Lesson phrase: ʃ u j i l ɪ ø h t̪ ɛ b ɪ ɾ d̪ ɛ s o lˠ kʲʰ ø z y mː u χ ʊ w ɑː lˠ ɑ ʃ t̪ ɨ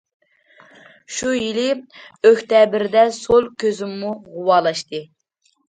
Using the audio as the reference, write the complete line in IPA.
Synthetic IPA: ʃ u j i l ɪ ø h t̪ ɛ b ɪ ɾ d̪ ɛ s o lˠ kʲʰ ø z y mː u ʁ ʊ w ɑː lˠ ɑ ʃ t̪ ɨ